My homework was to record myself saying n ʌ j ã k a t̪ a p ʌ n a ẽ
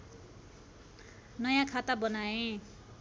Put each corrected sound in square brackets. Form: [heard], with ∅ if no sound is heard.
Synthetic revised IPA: n ʌ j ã [kʰ] a t̪ a [b] ʌ n a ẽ

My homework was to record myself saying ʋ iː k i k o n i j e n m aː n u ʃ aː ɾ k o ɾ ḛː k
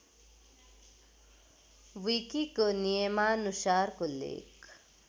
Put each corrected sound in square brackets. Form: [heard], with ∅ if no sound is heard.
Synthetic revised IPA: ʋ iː k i k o n i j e [∅] m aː n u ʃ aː ɾ k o [l] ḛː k

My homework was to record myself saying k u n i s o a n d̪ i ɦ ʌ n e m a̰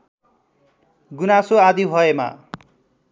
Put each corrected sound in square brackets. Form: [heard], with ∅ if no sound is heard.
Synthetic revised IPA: [ɡ] u n [a] s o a [∅] d̪ i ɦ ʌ [∅] e m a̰

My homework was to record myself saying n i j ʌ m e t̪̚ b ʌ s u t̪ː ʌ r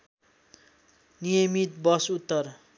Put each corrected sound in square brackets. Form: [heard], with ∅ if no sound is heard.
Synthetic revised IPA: n i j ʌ m [i] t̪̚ b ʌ s u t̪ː ʌ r

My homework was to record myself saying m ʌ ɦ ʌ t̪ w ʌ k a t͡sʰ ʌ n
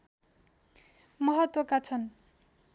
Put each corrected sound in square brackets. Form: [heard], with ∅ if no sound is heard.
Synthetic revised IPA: m ʌ ɦ ʌ t̪ w ʌ k a t͡sʰ ʌ n

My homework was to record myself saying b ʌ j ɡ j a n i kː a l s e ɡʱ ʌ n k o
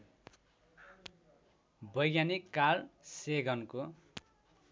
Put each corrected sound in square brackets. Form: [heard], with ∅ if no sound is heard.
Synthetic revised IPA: b ʌ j ɡ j a n i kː a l s e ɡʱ ʌ n k o

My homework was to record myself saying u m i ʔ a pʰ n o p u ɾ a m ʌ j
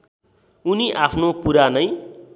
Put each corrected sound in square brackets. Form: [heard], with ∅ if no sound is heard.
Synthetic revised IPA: u [n] i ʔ a pʰ n o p u ɾ a [n] ʌ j

